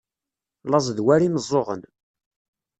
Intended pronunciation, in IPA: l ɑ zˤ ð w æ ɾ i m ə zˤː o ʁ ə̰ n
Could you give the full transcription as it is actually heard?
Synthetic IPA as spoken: l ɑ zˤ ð w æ ɾ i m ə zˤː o ʁ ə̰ n

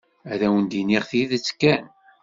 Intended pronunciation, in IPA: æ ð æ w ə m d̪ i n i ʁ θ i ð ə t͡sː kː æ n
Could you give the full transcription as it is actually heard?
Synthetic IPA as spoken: æ ð æ w ə n d̪ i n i ʁ θ i ð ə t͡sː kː æ n

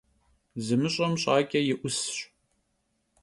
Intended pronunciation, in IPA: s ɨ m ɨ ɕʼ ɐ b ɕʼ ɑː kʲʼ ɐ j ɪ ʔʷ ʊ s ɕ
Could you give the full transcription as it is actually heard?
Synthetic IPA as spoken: z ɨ m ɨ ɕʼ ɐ m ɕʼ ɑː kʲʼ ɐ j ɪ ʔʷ ʊ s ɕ

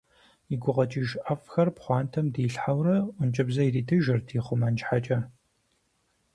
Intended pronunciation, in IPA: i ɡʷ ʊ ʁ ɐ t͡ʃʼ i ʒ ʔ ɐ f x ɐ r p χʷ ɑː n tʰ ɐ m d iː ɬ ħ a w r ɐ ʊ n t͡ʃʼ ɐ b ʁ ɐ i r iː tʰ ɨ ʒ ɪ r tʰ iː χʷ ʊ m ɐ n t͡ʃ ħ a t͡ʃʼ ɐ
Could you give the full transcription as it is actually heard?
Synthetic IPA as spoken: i ɡʷ ʊ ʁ ɐ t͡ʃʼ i ʒ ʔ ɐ f x ɐ r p χʷ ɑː n tʰ ɐ m d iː ɬ ħ a w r ɐ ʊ n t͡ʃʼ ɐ b z ɐ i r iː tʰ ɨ ʒ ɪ r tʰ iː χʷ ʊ m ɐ n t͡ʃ ħ a t͡ʃʼ ɐ

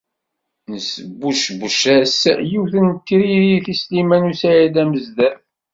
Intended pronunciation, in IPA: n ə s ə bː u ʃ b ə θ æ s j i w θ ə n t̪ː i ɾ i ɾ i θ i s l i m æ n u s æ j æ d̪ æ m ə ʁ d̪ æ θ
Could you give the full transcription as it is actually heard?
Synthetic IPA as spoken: n ə s ə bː u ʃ b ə ʃ æ s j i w θ ə n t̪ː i ɾ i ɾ i θ i s l i m æ n u s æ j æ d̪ æ m ə z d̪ æ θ

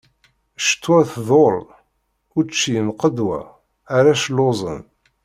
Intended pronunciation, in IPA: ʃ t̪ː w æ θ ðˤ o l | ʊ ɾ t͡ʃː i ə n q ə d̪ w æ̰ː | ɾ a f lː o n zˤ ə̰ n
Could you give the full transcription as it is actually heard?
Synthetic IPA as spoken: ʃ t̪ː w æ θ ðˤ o l | ʊ ɾ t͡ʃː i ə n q ə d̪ w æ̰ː | ɾ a ʃ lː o zˤ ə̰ n

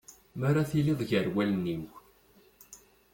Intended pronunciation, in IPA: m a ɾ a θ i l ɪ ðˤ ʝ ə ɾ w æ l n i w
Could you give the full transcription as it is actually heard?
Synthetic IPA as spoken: m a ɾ a θ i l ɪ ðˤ ʝ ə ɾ w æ l n i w

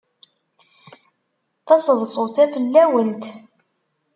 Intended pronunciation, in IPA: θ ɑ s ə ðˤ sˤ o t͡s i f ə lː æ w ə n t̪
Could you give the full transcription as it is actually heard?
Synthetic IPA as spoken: θ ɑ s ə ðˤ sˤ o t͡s æ f ə lː æ w ə n t̪

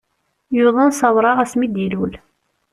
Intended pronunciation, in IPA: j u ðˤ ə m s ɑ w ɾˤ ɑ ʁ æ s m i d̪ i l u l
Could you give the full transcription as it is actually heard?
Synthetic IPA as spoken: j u ðˤ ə n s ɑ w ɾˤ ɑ ʁ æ s m i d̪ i l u l

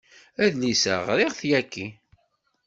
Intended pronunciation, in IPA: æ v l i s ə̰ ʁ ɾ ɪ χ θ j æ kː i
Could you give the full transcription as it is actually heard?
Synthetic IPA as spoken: æ ð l i s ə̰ ʁ ɾ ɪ ʁ θ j æ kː i

